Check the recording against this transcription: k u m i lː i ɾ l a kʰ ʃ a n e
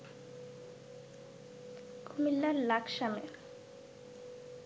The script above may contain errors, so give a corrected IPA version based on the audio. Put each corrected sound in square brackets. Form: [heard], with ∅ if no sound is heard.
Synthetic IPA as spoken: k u m i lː [a] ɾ l a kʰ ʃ a [m] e